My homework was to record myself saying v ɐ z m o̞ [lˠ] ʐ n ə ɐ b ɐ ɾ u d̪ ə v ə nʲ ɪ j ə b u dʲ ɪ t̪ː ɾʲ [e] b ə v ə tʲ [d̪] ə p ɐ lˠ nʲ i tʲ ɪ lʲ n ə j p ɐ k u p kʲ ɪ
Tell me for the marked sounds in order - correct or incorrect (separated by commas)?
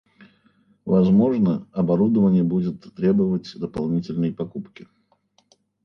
incorrect, correct, correct